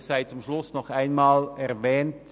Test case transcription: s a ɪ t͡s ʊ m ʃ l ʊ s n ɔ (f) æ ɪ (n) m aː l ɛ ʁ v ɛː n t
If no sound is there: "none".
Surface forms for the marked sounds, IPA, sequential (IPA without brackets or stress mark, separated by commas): χ, n